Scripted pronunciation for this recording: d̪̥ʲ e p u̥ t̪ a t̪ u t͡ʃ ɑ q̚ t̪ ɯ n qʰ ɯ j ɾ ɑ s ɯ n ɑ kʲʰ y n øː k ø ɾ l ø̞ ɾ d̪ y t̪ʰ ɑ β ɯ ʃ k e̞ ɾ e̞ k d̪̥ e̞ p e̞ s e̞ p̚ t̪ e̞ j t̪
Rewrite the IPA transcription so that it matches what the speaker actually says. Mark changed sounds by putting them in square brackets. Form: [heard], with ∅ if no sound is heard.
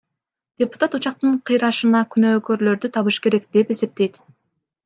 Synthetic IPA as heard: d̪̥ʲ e p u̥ t̪ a t̪ u t͡ʃ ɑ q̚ t̪ ɯ [ɴ] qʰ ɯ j ɾ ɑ [ʃ] ɯ n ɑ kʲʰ y n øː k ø ɾ l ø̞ ɾ d̪ y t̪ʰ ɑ β ɯ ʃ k e̞ ɾ e̞ k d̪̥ e̞ p e̞ s e̞ p̚ t̪ e̞ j t̪